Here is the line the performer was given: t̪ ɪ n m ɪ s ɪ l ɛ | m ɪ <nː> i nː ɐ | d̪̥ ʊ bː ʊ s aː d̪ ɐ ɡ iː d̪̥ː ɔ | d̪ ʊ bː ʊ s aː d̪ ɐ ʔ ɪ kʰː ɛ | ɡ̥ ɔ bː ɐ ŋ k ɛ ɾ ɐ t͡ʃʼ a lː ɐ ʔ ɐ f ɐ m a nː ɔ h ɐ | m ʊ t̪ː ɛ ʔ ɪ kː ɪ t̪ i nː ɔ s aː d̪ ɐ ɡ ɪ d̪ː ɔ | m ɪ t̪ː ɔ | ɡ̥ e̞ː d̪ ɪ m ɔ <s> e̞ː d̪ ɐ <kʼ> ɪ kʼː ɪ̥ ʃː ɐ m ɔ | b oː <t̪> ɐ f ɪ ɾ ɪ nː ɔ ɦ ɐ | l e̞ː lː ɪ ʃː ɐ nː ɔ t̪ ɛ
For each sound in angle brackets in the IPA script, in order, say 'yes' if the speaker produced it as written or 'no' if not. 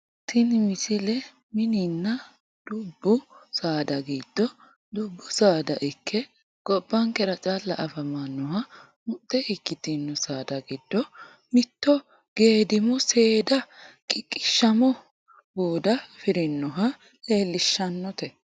no, yes, yes, no

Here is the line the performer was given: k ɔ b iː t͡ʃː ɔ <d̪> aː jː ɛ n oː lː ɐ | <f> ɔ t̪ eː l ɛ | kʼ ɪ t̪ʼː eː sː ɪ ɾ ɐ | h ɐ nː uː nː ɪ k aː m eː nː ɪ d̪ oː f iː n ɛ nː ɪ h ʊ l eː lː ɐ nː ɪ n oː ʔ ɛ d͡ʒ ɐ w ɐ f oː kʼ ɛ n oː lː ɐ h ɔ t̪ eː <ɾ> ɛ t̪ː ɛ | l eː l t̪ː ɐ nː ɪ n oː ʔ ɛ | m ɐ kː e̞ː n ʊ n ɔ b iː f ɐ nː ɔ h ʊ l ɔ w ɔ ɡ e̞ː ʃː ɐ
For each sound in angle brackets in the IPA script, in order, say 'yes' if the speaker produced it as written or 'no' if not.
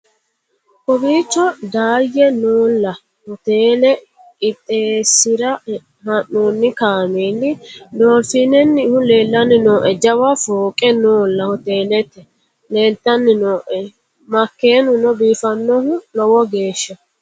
yes, no, no

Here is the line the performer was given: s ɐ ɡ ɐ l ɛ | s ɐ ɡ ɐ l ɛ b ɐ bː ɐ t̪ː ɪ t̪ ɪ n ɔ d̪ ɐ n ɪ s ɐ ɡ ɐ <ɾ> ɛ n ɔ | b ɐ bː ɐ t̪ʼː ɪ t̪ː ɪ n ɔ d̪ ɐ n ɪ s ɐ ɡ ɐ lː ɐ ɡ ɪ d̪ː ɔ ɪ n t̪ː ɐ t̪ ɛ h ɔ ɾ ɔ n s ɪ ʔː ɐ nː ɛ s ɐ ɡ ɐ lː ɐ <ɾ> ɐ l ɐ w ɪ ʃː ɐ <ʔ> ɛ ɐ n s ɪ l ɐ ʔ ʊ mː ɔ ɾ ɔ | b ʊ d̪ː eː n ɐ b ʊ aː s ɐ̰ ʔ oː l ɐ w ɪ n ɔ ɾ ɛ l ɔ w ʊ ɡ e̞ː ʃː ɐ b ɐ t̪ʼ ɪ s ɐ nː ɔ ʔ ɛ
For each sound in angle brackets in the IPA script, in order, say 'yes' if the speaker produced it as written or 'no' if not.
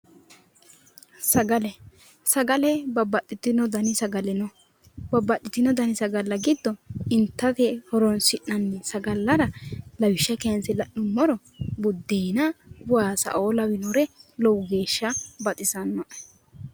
no, yes, no

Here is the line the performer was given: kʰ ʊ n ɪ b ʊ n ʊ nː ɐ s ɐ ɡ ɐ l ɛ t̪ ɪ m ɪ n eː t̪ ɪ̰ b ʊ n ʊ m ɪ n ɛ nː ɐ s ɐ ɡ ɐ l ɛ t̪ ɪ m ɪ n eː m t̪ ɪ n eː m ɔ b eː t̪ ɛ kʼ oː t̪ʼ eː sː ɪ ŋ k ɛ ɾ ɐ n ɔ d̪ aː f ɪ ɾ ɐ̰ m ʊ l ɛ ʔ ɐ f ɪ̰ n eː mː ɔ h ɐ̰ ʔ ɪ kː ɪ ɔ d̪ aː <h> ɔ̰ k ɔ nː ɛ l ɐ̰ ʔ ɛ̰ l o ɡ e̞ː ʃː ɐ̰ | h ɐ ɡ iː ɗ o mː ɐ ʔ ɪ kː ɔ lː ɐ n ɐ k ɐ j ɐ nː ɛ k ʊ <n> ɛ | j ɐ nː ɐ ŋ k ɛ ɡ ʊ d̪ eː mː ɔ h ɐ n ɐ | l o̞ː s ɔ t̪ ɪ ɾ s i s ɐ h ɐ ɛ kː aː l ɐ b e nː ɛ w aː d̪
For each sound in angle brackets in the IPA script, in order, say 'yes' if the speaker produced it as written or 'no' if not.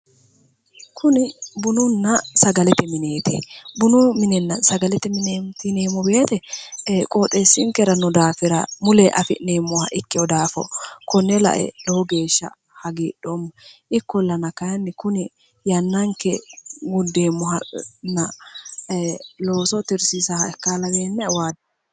no, yes

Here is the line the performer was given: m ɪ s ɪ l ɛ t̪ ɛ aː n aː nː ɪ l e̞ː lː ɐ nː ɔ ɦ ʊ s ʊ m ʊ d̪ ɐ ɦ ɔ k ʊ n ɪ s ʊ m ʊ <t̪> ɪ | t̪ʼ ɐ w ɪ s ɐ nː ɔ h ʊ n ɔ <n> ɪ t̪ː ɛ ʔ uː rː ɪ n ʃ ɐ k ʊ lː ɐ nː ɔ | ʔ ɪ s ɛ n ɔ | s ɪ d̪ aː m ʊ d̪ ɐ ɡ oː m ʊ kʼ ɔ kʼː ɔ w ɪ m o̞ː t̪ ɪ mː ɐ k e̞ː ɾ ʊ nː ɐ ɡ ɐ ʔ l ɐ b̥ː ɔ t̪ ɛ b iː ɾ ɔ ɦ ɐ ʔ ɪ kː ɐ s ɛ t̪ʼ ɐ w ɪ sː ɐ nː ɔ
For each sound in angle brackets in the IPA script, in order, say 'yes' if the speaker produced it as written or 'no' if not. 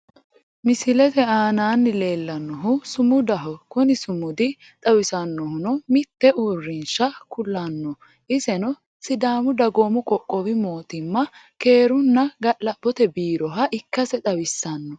no, no

